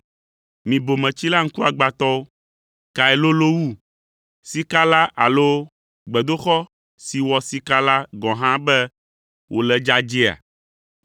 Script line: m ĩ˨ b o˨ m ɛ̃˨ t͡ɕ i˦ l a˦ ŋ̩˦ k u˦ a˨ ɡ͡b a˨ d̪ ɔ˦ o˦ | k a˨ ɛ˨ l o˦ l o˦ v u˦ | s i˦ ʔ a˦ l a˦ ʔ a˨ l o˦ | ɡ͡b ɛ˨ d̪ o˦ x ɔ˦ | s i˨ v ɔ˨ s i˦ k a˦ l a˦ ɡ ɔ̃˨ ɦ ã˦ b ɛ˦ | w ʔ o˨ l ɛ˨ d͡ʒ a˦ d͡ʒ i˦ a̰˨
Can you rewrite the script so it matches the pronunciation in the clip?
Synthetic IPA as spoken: m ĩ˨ b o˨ m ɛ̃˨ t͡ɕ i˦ l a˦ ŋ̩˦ k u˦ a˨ ɡ͡b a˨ t̪ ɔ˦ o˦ | k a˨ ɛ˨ l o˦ l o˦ w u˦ | s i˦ k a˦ l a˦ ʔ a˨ l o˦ | ɡ͡b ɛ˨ d̪ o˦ x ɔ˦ | s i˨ w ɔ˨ s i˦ k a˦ l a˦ ɡ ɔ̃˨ ɦ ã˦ b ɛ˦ | w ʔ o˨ l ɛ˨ d͡ʒ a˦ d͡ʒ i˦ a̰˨